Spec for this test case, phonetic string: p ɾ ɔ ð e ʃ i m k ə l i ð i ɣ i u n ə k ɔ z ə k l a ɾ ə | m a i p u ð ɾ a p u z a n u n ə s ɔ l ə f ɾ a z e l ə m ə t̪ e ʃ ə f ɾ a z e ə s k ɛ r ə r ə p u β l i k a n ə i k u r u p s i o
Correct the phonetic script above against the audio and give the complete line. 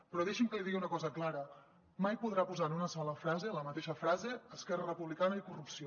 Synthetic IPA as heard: p ɾ ɔ ð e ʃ i m k ə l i ð i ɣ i u n ə k ɔ z ə k l a ɾ ə | m a j p u ð ɾ a p u z a n u n ə s ɔ l ə f ɾ a z e l ə m ə t̪ e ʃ ə f ɾ a z e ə s k ɛ r ə r ə p u β l i k a n ə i k u r u p s i o